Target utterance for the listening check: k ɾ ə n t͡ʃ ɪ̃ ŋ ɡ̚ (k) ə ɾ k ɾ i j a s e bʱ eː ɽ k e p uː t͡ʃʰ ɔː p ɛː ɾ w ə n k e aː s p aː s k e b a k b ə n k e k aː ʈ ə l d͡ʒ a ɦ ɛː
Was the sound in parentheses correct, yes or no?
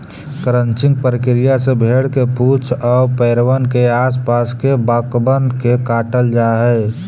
no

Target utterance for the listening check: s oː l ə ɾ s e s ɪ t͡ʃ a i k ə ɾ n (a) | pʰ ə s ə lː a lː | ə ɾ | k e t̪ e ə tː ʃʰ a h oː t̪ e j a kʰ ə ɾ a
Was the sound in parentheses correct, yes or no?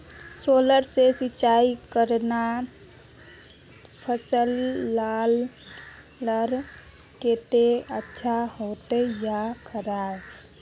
yes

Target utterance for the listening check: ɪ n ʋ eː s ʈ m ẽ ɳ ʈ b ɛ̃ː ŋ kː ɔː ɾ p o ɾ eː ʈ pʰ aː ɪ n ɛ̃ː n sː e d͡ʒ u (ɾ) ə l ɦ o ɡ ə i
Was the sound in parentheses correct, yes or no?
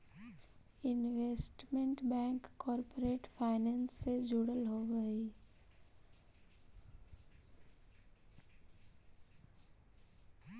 no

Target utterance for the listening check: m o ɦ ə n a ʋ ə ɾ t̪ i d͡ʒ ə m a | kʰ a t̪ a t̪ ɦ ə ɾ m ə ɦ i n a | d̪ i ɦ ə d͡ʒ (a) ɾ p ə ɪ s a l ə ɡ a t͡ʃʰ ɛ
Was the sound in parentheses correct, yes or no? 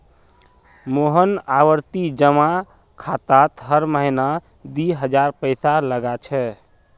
yes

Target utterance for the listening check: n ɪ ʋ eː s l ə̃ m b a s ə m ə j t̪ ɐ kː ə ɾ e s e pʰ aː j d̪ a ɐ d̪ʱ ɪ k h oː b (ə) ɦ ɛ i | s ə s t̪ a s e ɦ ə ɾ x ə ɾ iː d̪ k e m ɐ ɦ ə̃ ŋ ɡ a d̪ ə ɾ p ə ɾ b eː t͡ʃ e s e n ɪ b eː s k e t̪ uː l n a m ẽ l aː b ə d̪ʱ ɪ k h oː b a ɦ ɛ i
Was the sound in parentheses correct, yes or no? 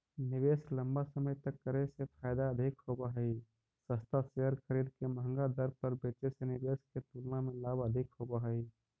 no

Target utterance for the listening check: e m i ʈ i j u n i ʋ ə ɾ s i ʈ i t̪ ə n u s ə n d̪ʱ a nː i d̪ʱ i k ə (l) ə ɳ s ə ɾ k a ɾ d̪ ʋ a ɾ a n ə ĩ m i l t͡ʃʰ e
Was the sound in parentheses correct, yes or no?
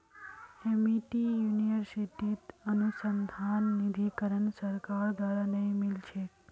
no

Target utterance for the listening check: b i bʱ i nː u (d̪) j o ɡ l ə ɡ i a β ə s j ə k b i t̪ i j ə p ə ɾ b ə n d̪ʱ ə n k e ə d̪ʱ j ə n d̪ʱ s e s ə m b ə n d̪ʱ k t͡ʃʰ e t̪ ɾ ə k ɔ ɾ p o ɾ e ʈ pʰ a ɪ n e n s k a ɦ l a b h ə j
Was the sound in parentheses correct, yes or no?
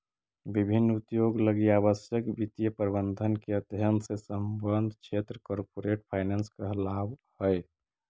no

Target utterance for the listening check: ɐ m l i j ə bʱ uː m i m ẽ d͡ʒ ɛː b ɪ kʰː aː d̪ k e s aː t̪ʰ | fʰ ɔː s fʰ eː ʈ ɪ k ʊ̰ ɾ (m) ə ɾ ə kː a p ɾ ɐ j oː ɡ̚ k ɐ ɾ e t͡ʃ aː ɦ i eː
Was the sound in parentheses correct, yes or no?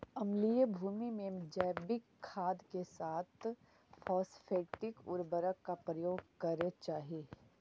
no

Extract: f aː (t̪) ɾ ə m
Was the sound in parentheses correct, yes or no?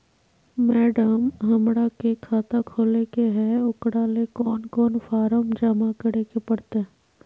no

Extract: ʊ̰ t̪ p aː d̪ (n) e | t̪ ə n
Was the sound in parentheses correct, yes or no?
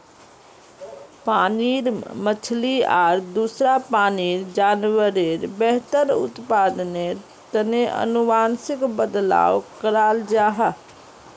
yes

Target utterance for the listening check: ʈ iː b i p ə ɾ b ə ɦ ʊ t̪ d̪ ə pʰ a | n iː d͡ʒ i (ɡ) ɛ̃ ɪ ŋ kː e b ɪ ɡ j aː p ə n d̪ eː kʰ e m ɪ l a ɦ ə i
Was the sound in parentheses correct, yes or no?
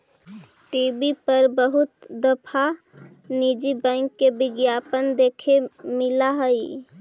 no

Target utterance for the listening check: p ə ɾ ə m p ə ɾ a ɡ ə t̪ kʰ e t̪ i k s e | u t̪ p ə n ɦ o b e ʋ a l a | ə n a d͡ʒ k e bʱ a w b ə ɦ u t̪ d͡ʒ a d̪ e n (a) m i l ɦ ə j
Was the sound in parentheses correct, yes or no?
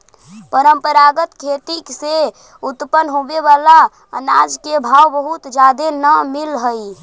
no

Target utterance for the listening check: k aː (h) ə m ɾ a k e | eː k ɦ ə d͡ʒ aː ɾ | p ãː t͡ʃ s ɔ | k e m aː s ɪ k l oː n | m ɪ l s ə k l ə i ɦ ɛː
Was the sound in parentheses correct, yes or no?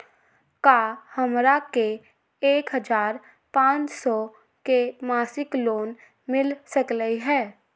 yes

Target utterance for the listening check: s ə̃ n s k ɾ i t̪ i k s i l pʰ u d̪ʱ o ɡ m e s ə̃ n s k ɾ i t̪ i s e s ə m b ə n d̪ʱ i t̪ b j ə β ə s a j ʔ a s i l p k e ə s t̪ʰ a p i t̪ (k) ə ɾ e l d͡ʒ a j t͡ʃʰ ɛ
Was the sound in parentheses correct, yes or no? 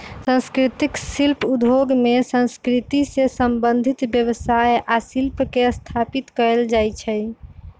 yes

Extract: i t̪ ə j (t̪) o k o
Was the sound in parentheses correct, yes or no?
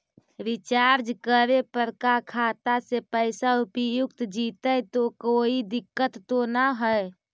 yes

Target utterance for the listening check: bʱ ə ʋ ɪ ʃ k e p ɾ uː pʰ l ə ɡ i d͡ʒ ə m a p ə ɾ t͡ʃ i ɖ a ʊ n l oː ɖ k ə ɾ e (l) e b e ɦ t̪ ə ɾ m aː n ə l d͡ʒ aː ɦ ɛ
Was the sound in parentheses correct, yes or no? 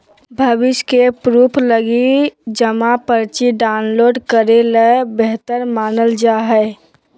yes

